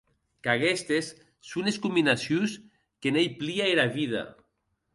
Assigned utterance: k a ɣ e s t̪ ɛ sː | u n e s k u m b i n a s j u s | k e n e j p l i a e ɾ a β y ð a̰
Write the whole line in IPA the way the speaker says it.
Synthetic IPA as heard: k a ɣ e s t̪ e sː | u n e s k u m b i n a s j u s | k e n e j p l i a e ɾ a β i ð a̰